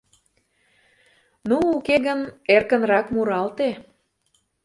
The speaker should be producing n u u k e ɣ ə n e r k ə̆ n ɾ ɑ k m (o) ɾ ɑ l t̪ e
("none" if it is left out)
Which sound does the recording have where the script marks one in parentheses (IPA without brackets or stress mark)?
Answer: u